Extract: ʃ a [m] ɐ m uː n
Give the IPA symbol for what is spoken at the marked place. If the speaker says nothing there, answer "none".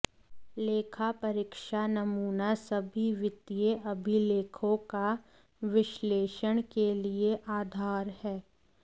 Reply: n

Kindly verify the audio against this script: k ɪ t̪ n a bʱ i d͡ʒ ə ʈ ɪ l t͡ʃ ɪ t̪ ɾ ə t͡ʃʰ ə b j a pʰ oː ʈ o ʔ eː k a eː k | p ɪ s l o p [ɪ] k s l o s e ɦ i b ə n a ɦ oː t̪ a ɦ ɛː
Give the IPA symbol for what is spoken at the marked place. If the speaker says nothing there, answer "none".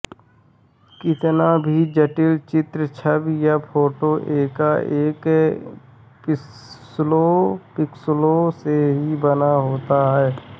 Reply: ɪ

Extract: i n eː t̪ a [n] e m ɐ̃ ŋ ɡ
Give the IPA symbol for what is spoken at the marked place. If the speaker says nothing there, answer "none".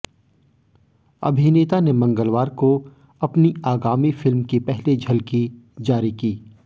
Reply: n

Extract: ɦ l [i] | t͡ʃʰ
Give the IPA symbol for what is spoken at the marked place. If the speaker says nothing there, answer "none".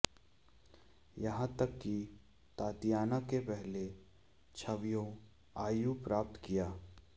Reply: e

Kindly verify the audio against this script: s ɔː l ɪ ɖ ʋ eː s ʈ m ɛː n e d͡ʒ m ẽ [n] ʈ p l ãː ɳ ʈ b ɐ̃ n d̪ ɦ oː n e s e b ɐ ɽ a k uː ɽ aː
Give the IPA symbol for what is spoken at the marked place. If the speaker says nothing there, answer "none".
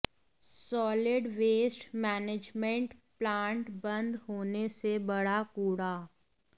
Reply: ɳ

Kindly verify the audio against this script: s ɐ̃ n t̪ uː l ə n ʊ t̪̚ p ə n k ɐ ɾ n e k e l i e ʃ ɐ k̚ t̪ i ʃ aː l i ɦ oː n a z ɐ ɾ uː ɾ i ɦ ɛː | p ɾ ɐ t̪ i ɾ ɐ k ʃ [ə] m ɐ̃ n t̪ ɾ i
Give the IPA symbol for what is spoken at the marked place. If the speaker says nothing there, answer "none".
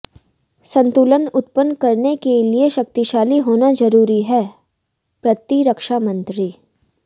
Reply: a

